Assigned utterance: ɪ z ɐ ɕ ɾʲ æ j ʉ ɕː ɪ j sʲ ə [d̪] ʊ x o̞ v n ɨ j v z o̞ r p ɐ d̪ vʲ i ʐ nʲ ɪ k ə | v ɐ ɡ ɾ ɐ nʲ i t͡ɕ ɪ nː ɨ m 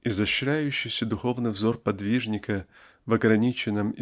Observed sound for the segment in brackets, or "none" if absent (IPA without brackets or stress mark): d̪